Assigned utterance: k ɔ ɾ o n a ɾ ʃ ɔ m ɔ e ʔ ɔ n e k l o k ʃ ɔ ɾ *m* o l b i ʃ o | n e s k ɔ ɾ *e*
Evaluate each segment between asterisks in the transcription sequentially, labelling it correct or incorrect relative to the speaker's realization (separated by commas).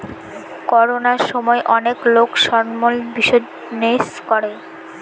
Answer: correct, correct